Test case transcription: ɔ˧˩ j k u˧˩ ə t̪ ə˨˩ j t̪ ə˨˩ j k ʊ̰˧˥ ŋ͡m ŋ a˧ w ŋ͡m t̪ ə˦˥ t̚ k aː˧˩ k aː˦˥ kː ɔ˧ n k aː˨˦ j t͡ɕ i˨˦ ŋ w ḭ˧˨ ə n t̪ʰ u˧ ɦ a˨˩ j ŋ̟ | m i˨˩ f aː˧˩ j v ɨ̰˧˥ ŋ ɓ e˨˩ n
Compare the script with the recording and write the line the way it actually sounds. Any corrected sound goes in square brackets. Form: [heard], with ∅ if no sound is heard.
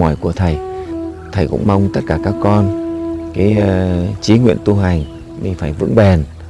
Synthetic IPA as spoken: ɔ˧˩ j k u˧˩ ə [t̪ʰ] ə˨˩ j [t̪ʰ] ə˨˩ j k ʊ̰˧˥ ŋ͡m [m] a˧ w ŋ͡m t̪ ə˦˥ t̚ k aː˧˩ k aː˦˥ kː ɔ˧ n k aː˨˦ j t͡ɕ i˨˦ ŋ w ḭ˧˨ ə n [t̪] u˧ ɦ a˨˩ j ŋ̟ | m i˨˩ f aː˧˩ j v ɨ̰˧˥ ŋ ɓ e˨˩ n

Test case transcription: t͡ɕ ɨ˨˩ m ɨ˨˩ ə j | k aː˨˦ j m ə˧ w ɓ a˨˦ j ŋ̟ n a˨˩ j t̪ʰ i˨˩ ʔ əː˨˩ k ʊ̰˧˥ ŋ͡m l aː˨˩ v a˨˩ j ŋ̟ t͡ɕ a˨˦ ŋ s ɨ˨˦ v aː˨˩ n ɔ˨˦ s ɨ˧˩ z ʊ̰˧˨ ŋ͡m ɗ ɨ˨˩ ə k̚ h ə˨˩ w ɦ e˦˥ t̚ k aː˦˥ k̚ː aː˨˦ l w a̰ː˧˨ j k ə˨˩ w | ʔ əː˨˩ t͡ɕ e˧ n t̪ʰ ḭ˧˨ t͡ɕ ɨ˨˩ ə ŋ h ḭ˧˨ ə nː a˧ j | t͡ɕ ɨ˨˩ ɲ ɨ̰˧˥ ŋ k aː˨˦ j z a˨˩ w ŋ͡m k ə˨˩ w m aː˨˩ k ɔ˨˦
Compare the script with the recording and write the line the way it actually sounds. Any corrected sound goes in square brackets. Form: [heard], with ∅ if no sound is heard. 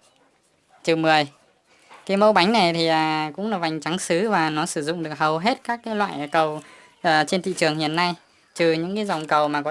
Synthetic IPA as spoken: t͡ɕ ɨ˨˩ m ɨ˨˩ ə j | k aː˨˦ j m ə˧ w ɓ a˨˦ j ŋ̟ n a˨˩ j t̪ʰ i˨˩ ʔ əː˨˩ k ʊ̰˧˥ ŋ͡m l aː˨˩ v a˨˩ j ŋ̟ t͡ɕ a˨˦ ŋ s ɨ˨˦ v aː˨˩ n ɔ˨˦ s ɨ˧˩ z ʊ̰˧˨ ŋ͡m ɗ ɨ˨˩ ə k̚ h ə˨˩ w ɦ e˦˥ t̚ k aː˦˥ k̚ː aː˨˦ l w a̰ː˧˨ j k ə˨˩ w | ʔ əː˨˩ t͡ɕ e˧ n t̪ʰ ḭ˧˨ t͡ɕ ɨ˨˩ ə ŋ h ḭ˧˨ ə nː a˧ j | t͡ɕ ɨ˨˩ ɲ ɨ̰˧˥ ŋ k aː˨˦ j z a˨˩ w ŋ͡m k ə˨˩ w m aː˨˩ k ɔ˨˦

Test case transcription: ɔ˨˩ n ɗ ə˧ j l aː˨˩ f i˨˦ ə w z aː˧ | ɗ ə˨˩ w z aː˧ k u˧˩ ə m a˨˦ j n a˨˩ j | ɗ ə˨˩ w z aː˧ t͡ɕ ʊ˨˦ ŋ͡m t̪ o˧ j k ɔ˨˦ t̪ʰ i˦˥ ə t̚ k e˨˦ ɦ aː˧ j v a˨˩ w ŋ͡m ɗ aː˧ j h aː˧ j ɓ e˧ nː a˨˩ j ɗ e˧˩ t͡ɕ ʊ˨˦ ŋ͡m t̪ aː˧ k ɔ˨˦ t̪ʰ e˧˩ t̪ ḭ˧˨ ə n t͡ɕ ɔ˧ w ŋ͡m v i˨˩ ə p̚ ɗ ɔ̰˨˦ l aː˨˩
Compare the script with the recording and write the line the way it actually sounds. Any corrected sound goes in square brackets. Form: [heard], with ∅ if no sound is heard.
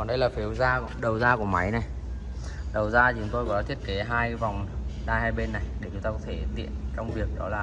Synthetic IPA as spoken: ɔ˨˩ n ɗ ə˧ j l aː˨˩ f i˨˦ ə w z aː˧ | ɗ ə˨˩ w z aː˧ k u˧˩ ə m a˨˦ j n a˨˩ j | ɗ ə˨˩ w z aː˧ t͡ɕ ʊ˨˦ ŋ͡m t̪ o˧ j k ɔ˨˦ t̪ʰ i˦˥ ə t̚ k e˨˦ ɦ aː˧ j v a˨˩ w ŋ͡m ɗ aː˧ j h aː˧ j ɓ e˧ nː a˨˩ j ɗ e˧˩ t͡ɕ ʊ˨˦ ŋ͡m t̪ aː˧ k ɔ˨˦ t̪ʰ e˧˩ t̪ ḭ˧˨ ə n t͡ɕ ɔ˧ w ŋ͡m v i˨˩ ə [k̚] ɗ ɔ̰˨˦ l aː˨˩

